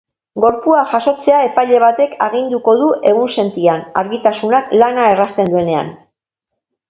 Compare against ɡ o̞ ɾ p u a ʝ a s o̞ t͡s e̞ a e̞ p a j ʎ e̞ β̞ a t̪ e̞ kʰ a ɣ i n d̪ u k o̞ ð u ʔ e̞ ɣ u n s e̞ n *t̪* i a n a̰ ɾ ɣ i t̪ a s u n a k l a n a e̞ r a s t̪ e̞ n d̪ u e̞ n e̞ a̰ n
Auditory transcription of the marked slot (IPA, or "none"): t̪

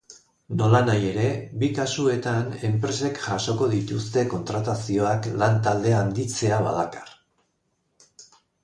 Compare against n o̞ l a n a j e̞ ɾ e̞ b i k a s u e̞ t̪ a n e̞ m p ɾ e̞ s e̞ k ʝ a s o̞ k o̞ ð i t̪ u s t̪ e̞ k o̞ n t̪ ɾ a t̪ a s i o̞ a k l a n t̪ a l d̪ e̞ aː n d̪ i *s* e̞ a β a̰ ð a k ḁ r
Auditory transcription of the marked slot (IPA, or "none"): t͡s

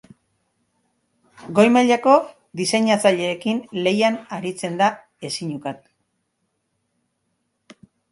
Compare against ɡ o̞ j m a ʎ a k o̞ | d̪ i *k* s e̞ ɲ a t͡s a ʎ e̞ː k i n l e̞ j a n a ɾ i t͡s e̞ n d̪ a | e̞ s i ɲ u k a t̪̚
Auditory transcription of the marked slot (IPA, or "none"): none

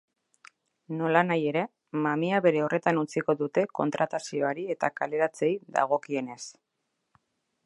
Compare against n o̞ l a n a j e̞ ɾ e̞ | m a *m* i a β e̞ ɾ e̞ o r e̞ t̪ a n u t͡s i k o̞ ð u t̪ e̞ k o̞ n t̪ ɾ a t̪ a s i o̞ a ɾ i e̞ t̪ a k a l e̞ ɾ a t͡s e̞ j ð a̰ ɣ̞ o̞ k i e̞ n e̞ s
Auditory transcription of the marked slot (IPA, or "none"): m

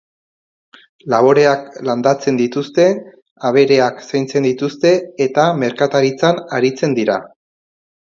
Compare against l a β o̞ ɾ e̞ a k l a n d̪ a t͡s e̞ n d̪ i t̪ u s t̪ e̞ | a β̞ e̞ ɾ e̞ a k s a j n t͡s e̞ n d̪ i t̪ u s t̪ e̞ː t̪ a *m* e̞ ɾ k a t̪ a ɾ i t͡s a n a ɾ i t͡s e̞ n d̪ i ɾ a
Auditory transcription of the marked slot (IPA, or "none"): m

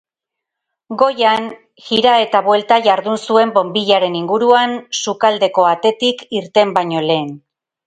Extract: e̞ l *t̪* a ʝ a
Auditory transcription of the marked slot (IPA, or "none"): t̪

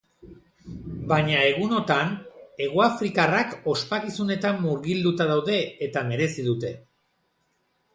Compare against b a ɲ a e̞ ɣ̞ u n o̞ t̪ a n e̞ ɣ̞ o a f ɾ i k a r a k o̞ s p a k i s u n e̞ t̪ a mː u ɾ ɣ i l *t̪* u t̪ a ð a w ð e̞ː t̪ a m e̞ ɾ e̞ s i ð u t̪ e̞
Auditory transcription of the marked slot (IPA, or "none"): d̪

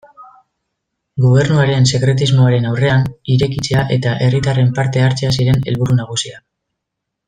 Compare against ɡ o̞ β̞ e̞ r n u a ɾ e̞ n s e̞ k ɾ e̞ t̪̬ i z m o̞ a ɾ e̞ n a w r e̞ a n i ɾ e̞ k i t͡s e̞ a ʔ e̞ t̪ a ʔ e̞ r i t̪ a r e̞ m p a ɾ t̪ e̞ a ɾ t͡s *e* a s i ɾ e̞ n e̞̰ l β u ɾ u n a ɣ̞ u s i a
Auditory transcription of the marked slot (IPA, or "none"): e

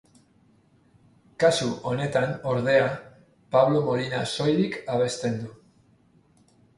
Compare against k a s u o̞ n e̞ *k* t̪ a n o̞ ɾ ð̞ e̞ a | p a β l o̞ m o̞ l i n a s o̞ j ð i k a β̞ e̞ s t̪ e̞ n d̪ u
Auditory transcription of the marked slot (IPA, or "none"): none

